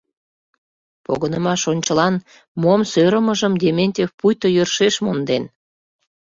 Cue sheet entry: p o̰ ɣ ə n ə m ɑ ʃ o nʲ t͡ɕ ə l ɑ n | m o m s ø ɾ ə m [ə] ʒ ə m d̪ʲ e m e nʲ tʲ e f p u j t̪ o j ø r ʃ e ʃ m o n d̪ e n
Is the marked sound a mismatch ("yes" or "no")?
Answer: no